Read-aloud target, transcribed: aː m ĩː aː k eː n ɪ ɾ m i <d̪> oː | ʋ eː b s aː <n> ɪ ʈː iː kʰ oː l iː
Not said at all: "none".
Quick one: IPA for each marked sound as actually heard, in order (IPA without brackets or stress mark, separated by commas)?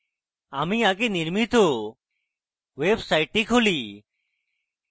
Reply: t̪, none